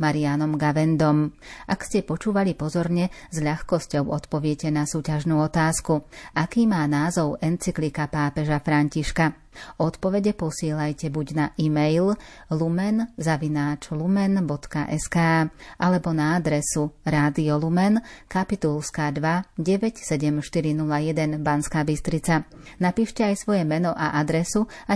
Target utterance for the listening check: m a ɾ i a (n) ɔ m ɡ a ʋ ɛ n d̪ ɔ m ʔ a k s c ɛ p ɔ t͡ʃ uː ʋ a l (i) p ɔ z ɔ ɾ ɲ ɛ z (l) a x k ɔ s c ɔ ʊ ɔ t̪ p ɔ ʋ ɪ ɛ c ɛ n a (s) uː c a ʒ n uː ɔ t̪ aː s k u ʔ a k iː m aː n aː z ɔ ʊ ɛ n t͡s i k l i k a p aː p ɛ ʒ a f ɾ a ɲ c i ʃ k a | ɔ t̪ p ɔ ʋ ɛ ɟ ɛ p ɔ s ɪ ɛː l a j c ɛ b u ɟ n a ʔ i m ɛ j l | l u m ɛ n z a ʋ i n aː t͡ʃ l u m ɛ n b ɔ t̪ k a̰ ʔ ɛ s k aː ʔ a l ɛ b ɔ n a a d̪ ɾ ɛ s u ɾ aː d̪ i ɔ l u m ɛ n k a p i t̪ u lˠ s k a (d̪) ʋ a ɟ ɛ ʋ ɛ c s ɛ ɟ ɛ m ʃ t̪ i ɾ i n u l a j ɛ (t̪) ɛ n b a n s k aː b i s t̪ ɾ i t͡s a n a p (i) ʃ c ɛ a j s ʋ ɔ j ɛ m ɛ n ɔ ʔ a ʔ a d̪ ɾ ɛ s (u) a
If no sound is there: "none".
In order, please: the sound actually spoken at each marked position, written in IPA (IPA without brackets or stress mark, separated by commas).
n, i, ʎ, s, d̪, d̪, iː, u